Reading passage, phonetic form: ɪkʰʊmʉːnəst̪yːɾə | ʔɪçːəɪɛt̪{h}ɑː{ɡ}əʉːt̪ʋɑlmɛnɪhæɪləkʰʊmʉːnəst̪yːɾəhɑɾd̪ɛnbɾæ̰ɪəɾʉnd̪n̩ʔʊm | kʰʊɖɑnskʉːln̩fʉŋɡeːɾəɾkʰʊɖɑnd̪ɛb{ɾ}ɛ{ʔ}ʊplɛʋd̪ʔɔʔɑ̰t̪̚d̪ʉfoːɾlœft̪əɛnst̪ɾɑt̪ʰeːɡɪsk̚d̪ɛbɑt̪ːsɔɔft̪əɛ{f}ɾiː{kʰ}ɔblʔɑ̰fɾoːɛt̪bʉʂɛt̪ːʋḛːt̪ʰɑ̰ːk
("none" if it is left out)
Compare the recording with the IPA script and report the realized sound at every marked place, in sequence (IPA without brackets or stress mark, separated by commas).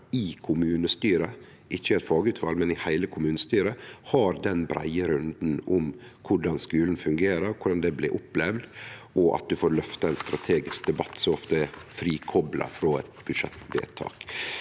f, ɡ, l, ʔ, f, kʰ